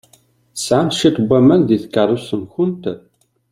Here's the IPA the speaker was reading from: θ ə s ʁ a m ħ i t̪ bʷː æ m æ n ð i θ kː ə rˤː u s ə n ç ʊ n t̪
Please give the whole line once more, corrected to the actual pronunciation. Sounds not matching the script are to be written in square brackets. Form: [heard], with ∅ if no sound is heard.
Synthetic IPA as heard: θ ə s [ʕ] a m [ʃ] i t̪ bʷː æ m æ n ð i θ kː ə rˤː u s ə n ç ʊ n t̪